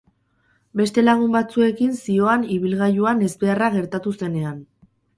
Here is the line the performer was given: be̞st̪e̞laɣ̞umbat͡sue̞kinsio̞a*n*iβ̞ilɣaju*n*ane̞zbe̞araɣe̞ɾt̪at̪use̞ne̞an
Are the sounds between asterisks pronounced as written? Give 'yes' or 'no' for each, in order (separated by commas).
yes, no